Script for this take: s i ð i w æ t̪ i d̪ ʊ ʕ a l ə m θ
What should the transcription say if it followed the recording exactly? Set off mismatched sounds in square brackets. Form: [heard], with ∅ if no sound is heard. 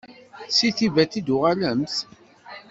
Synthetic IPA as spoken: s i [θ] i [v] æ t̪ i d̪ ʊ [ʁ] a l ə m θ